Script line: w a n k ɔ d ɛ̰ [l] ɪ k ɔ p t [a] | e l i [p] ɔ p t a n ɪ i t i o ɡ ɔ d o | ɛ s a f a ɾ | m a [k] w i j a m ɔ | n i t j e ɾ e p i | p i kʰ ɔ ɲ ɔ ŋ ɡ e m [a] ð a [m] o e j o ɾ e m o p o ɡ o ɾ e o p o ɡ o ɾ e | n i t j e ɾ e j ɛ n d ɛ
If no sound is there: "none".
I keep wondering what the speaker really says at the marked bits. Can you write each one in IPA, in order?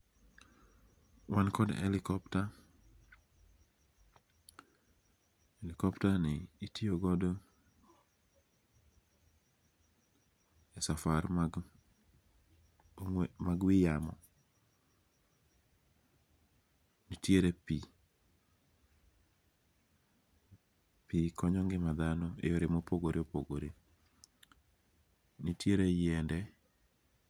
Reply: l, a, k, ɡ, a, n

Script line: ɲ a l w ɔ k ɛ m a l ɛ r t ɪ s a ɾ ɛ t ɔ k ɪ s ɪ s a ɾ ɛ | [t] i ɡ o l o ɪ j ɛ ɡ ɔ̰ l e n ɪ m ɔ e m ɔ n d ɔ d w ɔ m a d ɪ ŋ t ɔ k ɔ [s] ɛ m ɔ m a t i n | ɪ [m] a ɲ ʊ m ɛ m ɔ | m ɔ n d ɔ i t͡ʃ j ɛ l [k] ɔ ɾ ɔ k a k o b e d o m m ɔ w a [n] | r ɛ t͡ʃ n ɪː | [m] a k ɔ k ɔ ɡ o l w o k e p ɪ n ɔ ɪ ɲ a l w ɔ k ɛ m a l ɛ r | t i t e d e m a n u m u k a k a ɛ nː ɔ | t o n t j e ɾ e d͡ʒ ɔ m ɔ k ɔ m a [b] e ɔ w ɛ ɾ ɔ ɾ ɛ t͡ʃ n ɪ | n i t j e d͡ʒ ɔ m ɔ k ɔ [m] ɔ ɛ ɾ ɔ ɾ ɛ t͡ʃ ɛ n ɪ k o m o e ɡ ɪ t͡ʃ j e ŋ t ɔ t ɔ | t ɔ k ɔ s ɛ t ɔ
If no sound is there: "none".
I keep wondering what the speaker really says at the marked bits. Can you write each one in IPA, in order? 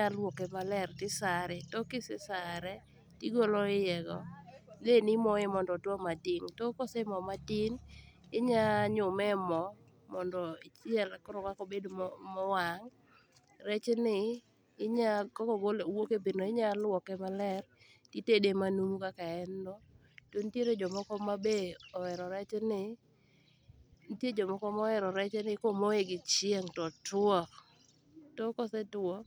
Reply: t, s, ɲ, k, ŋ, ɲ, b, m

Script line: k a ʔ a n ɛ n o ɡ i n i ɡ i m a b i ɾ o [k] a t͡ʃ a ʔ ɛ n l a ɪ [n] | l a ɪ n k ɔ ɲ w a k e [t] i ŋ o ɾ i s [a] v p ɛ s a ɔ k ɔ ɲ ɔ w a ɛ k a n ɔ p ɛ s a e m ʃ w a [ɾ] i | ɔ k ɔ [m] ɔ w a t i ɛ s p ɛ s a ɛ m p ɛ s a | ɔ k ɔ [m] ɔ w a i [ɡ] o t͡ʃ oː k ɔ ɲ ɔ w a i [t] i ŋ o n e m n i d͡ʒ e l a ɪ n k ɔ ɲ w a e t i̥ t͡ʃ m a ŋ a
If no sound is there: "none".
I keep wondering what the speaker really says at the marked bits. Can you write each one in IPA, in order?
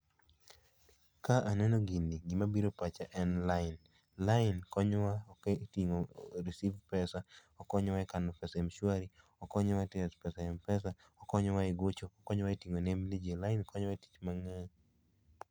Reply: p, n, t, i, ɾ, ɲ, ɲ, ɡ, t

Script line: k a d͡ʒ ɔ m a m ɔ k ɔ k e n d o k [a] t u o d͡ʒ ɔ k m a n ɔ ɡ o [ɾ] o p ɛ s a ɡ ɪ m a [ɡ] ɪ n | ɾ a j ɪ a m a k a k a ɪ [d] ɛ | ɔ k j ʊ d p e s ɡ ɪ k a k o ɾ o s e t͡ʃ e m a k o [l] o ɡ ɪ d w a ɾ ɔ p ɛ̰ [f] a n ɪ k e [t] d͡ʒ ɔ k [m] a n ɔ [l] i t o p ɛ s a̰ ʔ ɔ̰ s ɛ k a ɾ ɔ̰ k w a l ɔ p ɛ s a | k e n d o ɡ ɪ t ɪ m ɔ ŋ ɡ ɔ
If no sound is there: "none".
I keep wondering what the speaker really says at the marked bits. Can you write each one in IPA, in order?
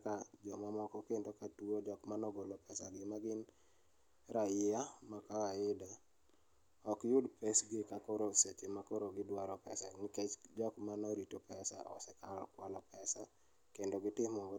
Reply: a, l, ɡ, d, ɾ, s, t͡ʃ, m, ɾ

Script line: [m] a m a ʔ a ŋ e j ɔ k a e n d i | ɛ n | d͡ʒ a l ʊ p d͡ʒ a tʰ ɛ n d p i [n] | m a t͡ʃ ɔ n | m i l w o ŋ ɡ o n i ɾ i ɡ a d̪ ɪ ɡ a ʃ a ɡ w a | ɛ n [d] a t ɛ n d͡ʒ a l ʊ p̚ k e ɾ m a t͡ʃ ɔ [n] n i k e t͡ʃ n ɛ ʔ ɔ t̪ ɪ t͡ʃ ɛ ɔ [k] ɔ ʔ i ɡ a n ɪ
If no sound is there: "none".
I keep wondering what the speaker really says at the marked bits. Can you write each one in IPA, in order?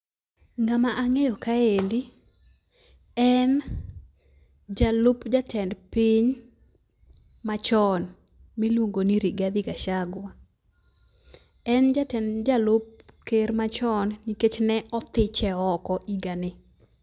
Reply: ŋ, ɲ, d͡ʒ, n, k

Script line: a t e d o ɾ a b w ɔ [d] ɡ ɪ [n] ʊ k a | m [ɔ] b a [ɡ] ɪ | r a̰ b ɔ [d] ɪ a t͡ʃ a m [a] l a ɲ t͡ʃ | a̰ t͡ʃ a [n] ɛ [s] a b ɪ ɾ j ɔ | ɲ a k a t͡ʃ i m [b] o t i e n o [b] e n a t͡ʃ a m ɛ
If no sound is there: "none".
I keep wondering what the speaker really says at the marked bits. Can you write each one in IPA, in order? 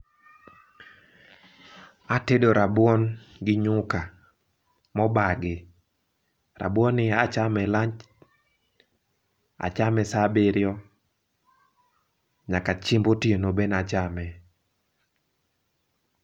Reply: n, ɲ, ɔ, ɡ, n, ɛ, m, s, b, b

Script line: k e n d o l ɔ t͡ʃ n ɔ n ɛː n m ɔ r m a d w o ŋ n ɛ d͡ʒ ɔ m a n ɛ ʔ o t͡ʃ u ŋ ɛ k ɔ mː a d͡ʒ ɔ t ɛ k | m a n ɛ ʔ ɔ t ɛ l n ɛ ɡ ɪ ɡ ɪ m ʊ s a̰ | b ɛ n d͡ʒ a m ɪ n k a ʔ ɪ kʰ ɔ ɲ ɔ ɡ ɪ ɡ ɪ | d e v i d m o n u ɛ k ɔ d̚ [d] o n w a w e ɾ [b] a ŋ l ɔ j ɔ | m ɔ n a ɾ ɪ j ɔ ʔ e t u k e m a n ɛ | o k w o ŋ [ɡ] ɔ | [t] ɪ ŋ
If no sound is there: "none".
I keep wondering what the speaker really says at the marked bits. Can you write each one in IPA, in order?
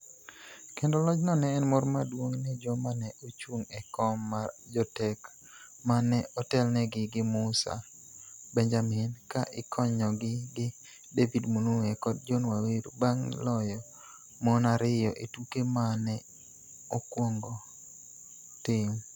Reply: d͡ʒ, b, ɡ, t

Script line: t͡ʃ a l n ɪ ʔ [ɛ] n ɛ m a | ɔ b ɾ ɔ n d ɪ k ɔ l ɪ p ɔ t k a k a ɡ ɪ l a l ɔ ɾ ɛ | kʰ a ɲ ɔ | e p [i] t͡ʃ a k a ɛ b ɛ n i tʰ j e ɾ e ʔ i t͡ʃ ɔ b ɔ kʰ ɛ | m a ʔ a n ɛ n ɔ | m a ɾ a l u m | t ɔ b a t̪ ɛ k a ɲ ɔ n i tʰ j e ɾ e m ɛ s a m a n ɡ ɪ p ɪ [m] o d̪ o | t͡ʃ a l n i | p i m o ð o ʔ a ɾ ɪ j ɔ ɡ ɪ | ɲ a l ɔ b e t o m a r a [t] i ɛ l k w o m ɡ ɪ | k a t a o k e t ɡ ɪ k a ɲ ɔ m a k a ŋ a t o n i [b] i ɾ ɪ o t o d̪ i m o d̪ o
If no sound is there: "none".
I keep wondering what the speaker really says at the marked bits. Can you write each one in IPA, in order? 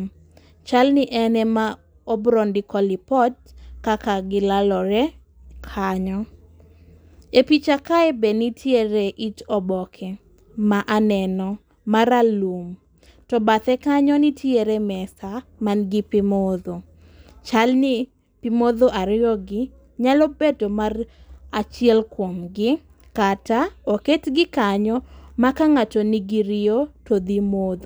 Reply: ɛ, i, m, t͡ʃ, ɡ

